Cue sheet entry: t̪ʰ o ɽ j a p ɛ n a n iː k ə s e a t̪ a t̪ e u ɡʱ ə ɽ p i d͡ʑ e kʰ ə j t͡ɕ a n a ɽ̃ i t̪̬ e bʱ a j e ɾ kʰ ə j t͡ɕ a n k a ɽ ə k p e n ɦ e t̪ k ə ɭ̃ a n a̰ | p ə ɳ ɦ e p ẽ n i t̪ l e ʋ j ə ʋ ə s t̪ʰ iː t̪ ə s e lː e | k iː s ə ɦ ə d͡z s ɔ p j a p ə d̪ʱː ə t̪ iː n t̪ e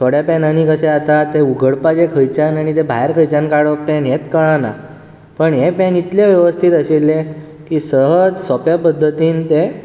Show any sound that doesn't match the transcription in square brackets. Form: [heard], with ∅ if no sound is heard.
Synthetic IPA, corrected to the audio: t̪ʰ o ɽ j a p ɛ n a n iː k ə s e a t̪ a t̪ e u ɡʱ ə ɽ p [a] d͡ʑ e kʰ ə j t͡ɕ a n a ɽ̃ i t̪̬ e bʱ a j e ɾ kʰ ə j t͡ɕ a n k a ɽ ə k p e n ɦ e t̪ k ə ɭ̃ a n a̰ | p ə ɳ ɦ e p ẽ n i t̪ l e ʋ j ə ʋ ə s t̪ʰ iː t̪ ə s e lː e | k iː s ə ɦ ə d͡z s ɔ p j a p ə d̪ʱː ə t̪ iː n t̪ e